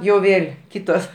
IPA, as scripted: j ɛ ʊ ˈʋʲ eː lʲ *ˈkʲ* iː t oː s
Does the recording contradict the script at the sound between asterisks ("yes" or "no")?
no